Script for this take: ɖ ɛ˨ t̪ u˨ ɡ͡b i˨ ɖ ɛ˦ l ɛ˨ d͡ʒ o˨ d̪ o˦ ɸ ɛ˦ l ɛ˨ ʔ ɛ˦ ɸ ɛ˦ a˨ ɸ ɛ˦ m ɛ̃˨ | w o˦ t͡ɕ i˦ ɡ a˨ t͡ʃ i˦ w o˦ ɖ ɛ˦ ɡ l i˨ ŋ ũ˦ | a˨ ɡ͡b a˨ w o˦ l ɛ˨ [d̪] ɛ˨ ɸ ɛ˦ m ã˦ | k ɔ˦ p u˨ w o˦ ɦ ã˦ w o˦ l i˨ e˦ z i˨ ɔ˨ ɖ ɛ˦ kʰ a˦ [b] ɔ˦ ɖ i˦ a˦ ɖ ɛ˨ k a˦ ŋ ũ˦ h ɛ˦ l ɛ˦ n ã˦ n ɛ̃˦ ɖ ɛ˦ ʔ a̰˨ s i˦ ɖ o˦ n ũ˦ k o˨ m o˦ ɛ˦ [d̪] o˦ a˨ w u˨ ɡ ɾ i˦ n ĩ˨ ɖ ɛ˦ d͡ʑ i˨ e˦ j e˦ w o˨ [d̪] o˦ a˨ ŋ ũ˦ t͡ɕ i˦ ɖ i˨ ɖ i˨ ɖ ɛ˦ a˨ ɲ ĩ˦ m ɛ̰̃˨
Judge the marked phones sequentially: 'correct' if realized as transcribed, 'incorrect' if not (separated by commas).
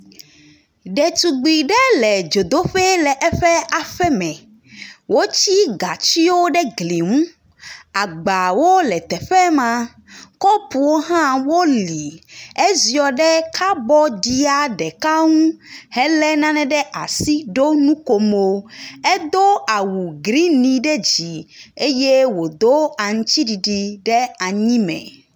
incorrect, correct, correct, correct